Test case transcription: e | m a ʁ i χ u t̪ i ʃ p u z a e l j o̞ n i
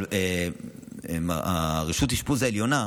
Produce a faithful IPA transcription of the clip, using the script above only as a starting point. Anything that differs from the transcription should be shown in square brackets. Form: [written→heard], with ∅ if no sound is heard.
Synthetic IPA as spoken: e | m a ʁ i [χ→ʃ] u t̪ i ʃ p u z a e l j o̞ n [i→a]

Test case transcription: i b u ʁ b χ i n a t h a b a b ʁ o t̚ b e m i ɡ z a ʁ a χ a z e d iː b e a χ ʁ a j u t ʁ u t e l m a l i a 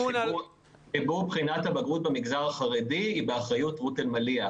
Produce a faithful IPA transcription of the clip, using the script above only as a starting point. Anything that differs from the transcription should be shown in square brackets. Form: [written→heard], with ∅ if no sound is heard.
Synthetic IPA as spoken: i b u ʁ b χ i n a t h a b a [b→ɡ] ʁ [o→u] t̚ b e m i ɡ z a ʁ a χ a [z→ʁ] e d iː b e a χ ʁ a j u t ʁ u t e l m a l i a

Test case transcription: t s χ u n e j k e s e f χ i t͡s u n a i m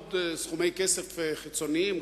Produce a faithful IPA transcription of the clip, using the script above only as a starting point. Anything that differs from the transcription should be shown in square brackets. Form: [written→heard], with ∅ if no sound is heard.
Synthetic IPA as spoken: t s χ u [n→m] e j k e s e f χ i t͡s [u→o] n [a→i] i m

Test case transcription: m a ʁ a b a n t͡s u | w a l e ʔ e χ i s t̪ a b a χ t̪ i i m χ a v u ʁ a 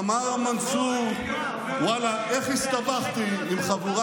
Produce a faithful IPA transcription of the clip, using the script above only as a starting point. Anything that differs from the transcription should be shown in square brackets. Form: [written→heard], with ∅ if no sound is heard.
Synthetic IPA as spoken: m a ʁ a [b→m] a n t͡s u | w a l [e→a] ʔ e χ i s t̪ a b a χ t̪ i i m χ a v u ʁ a

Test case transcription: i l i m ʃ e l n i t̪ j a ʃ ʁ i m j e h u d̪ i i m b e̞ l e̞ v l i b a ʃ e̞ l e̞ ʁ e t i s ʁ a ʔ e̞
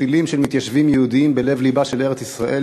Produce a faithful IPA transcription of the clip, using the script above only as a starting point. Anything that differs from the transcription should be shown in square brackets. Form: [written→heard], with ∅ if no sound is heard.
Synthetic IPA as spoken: i l i m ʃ e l [n→m] i t̪ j a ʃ [ʁ→v] i m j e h u d̪ i i m b e̞ l e̞ v l i b a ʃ e̞ l e̞ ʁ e [t→t͡s] i s ʁ a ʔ e̞

